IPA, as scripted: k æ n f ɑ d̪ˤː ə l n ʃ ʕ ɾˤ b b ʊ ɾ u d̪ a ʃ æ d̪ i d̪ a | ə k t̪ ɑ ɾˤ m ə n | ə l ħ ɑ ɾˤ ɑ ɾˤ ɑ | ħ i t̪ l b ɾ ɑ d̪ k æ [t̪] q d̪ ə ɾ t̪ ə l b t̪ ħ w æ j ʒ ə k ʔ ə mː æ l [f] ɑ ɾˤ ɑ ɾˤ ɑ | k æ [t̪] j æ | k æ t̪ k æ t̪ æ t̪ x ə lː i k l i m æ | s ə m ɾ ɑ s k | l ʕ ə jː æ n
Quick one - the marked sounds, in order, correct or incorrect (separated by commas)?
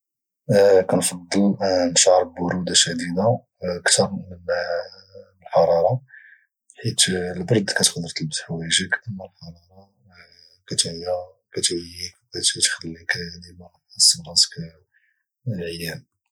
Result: correct, incorrect, correct